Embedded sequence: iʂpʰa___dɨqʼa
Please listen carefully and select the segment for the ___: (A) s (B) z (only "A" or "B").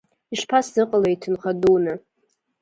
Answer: A